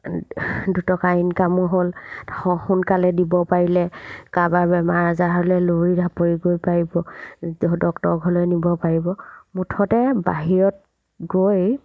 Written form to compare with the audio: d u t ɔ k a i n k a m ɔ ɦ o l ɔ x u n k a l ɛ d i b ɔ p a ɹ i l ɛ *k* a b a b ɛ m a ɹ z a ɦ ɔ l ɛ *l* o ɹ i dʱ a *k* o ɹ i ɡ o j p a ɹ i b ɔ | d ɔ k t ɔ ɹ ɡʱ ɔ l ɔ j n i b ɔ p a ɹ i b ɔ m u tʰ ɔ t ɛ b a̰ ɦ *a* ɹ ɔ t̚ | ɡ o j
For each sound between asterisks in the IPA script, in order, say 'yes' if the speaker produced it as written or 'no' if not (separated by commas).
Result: yes, yes, no, no